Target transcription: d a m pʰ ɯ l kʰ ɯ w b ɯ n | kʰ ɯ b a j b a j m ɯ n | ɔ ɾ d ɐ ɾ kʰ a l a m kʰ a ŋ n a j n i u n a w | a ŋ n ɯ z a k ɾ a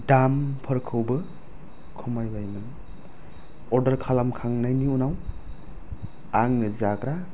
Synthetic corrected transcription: d a m pʰ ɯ ɾ kʰ ɯ w b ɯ | kʰ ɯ m a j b a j m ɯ n | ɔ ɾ d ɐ ɾ kʰ a l a m kʰ a ŋ n a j n i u n a w | a ŋ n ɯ z a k ɾ a